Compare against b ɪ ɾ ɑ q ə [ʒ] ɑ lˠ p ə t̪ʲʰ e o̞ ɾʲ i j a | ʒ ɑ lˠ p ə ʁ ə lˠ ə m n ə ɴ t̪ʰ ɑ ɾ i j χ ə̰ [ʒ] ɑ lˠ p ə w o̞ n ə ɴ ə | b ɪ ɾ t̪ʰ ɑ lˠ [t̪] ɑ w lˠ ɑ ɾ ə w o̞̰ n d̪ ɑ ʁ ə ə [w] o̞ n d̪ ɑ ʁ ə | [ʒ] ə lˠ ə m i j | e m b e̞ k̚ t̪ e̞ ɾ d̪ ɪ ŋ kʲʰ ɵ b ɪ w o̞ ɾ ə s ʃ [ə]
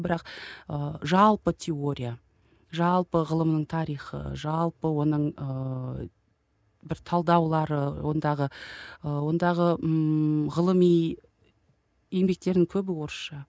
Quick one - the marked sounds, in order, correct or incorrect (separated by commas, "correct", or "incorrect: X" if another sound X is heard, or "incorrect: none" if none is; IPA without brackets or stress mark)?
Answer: correct, correct, incorrect: d̪, correct, incorrect: ʁ, incorrect: ɑ